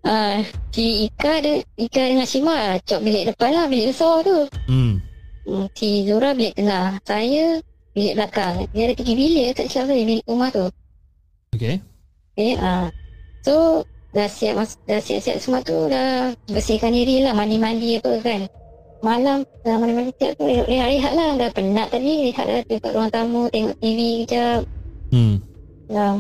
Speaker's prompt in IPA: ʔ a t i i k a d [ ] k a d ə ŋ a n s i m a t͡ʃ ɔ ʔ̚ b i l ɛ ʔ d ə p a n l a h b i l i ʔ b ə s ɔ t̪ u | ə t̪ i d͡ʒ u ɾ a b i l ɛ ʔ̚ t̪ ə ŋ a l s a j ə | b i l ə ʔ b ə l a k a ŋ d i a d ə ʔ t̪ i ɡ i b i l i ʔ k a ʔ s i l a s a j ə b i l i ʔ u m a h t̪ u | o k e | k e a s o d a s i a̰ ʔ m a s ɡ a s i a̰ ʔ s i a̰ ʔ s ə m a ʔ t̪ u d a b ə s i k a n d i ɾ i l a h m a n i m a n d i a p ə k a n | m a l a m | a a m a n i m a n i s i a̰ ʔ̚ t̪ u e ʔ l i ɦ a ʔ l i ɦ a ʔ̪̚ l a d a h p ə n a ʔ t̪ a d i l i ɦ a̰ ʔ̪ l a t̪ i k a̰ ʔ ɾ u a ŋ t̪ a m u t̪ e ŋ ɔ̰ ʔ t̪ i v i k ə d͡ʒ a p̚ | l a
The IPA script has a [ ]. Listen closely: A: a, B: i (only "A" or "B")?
B